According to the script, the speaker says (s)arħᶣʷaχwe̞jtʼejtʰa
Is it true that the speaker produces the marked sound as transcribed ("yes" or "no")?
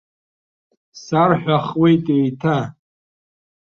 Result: yes